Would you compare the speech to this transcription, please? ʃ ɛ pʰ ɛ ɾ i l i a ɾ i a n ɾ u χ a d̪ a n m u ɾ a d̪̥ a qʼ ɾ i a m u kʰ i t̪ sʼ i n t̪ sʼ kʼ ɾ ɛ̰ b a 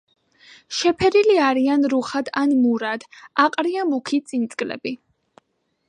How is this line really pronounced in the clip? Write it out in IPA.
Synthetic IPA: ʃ ɛ pʰ ɛ ɾ i l i a ɾ i a n ɾ u χ a d̪ a n m u ɾ a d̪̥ a qʼ ɾ i a m u kʰ i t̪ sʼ i n t̪ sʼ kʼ l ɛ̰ b i